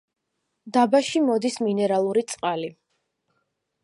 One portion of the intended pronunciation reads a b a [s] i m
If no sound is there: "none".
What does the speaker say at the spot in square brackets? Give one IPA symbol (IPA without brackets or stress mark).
ʃ